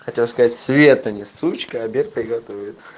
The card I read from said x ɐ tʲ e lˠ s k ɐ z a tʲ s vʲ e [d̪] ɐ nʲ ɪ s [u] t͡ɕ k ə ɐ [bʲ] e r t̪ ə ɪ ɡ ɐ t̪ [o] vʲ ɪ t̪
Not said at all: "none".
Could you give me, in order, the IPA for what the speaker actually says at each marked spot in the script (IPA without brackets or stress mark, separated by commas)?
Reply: t̪, u, bʲ, o